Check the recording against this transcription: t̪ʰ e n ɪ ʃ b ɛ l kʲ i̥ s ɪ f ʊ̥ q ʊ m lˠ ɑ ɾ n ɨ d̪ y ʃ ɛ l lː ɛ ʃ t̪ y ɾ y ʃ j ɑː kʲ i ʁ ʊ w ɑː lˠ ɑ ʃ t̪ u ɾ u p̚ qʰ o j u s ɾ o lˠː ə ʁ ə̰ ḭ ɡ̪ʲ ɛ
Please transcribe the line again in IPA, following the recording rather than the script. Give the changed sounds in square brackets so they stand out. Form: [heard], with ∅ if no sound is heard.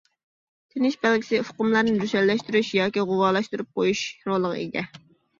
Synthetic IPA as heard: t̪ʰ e n ɪ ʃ b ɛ l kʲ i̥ s ɪ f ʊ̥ q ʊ m lˠ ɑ ɾ n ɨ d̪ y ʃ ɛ l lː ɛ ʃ t̪ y ɾ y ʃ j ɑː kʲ i ʁ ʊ w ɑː lˠ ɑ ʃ t̪ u ɾ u p̚ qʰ o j u [ʃ] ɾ o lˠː ə ʁ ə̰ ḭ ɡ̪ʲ ɛ